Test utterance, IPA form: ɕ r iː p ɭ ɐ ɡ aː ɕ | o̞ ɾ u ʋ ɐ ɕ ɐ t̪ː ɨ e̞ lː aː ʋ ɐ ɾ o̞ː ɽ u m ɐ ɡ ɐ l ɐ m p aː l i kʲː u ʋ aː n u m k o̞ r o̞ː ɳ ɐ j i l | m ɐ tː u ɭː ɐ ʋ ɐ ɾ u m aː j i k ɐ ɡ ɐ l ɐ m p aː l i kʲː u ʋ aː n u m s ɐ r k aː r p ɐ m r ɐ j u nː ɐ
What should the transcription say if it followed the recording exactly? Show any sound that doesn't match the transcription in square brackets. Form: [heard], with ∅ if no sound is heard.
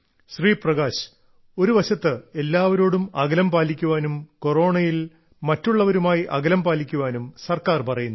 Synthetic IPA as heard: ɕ r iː p [r] ɐ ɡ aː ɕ | o̞ ɾ u ʋ ɐ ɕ ɐ t̪ː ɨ e̞ lː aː ʋ ɐ ɾ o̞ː ɽ u m ɐ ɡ ɐ l ɐ m p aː l i kʲː u ʋ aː n u m k o̞ r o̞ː ɳ ɐ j i l | m ɐ tː u ɭː ɐ ʋ ɐ ɾ u m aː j i [ʔ] ɐ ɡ ɐ l ɐ m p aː l i kʲː u ʋ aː n u m s ɐ r k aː r p ɐ [∅] r ɐ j u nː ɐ